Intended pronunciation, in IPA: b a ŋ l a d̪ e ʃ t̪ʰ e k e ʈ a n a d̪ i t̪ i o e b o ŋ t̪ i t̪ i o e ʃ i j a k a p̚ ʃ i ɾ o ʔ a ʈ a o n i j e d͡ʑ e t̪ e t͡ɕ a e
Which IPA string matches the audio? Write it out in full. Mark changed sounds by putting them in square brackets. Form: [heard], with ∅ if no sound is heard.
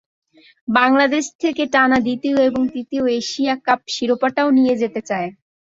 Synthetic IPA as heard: b a ŋ l a d̪ e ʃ t̪ʰ e k e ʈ a n a d̪ i t̪ i o e b o ŋ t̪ i t̪ i o e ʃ i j a k a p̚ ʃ i ɾ o [p] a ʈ a o n i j e d͡ʑ e t̪ e t͡ɕ a e